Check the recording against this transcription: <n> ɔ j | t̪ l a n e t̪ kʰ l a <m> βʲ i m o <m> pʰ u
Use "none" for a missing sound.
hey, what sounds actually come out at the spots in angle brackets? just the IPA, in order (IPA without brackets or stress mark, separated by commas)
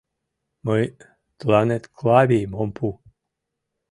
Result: m, none, m